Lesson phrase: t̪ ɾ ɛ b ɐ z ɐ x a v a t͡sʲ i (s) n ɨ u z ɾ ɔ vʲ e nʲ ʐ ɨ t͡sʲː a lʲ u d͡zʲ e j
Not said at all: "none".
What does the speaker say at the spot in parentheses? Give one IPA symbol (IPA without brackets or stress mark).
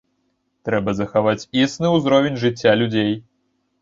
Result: s